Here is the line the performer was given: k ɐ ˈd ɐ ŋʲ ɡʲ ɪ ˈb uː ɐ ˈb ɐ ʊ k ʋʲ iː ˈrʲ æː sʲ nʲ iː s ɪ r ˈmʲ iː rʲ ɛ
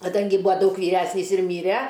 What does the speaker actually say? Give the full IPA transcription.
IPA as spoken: k ɐ ˈd ɐ ŋʲ ɡʲ ɪ ˈb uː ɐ ˈd ɐ ʊ k ʋʲ iː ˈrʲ æː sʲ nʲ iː s ɪ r ˈmʲ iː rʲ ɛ